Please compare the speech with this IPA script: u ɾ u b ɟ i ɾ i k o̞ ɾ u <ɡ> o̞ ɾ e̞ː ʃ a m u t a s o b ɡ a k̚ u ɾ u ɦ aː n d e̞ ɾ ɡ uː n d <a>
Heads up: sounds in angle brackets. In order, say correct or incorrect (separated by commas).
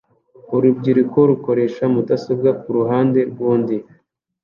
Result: incorrect, incorrect